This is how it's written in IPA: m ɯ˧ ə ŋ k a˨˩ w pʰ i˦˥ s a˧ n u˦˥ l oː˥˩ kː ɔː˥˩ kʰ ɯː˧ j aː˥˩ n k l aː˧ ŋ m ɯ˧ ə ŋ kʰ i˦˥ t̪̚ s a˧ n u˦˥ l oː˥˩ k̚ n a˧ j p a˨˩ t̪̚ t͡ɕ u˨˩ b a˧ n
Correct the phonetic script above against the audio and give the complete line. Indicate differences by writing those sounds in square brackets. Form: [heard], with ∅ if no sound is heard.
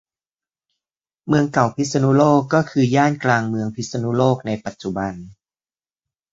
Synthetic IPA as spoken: m ɯ˧ ə ŋ k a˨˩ w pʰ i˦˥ s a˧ n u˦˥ l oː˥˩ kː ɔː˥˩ kʰ ɯː˧ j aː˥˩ n k l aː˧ ŋ m ɯ˧ ə ŋ [pʰ] i˦˥ t̪̚ s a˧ n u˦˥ l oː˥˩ k̚ n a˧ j p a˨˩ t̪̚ t͡ɕ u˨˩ b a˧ n